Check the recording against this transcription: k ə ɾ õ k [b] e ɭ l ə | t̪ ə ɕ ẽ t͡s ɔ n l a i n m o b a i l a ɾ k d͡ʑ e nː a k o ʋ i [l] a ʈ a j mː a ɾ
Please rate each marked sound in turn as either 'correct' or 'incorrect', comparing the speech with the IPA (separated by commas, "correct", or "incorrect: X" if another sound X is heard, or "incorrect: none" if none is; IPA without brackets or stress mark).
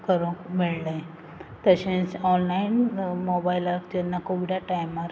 incorrect: m, incorrect: ɽ